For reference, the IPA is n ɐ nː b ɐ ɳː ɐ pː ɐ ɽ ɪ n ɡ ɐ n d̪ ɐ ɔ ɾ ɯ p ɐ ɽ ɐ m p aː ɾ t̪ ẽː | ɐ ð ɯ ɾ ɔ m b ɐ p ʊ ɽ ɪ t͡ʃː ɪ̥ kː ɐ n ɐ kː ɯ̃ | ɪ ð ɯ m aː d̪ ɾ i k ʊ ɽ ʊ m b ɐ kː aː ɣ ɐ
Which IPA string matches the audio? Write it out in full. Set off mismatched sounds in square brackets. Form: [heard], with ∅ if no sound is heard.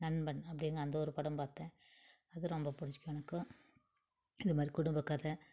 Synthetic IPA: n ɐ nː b ɐ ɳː ɐ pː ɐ ɽ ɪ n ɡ ɐ n d̪ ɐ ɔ ɾ ɯ p ɐ ɽ ɐ m p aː ɾ t̪ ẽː | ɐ ð ɯ ɾ ɔ m b ɐ p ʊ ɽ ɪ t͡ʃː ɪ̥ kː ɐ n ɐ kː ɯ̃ | ɪ ð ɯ m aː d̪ ɾ i k ʊ ɽ ʊ m b ɐ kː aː [ð] ɐ